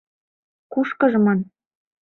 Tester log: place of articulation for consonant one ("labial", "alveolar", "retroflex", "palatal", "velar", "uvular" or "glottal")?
velar